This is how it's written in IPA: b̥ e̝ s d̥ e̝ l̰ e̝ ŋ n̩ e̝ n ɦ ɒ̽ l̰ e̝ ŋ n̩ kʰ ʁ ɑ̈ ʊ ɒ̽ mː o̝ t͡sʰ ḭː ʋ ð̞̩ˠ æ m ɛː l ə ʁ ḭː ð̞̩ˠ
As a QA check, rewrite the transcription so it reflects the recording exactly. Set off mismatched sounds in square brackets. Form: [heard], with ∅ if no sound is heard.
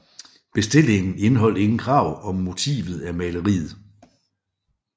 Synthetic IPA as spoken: b̥ e̝ s d̥ e̝ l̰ e̝ ŋ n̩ e̝ n ɦ ɒ̽ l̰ e̝ ŋ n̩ kʰ ʁ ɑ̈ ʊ ɒ̽ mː o̝ t͡sʰ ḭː ʋ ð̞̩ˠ æ m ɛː l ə ʁ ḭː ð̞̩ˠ